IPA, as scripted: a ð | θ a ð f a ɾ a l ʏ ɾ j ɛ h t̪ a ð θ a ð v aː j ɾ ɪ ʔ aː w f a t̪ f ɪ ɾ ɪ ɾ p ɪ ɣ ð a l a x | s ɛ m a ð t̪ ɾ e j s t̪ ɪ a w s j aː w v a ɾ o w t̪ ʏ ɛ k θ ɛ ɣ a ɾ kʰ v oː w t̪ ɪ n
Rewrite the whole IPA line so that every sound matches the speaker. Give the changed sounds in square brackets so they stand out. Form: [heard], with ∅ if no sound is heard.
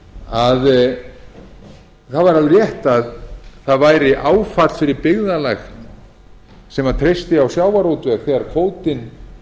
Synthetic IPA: a ð | θ a ð [v] a ɾ a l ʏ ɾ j ɛ h t̪ a ð θ a ð v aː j ɾ ɪ ʔ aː w f a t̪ f ɪ ɾ ɪ ɾ p ɪ ɣ ð a l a x | s ɛ m a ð [t̪ʰ] ɾ e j s t̪ ɪ a w s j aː w v a ɾ o w t̪ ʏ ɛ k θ ɛ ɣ a ɾ kʰ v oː w t̪ ɪ n

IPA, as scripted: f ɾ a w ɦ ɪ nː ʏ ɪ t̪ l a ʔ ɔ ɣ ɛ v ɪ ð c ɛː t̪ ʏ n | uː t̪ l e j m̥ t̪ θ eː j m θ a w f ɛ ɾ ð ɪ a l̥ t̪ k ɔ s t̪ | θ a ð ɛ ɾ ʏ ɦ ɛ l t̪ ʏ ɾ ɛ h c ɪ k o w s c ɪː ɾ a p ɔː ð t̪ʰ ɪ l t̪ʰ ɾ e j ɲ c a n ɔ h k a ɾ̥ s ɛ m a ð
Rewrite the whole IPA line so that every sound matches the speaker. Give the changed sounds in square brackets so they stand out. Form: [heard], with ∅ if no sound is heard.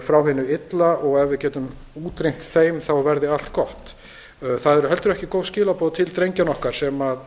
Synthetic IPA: f ɾ a w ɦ ɪ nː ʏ ɪ t̪ l a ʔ ɔ ɣ ɛ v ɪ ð c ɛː t̪ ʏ [m] | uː t̪ [ɾ] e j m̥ t̪ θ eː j m θ a w [v] ɛ ɾ ð ɪ a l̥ t̪ k ɔ [h] t̪ | θ a ð ɛ ɾ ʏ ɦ ɛ l t̪ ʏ ɾ ɛ h c ɪ k o w s c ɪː [l] a p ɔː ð t̪ʰ ɪ l [t̪] ɾ e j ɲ c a n ɔ h k a ɾ̥ s ɛ m a ð

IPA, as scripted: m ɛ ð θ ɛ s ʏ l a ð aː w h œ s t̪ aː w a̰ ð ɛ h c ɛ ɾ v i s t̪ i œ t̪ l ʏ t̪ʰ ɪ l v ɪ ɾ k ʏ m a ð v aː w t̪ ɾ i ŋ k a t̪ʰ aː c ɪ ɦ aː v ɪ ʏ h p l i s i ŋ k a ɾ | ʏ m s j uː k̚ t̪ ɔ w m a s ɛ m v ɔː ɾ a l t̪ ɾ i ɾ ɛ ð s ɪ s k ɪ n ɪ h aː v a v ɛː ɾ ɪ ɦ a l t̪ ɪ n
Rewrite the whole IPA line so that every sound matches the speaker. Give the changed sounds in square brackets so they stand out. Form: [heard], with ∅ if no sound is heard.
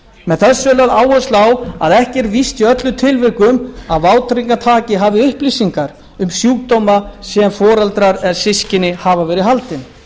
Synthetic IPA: m ɛ ð θ ɛ s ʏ l a ð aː w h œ s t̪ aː w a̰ ð ɛ h c ɛ ɾ v i s t̪ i œ t̪ l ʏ t̪ʰ ɪ l v ɪ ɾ k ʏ m a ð v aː w t̪ ɾ i ŋ k a t̪ʰ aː c ɪ ɦ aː v ɪ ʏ h p l i s i ŋ k a ɾ | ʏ m s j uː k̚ t̪ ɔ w m a s ɛ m [f] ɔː ɾ a l t̪ ɾ [a] ɾ ɛ ð s ɪ s [c] ɪ n ɪ h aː v a v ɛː ɾ ɪ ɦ a l t̪ ɪ n

